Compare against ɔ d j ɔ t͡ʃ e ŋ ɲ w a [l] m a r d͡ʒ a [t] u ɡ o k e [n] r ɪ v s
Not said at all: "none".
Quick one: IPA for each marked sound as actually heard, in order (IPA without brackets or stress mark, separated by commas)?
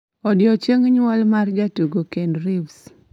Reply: l, t, n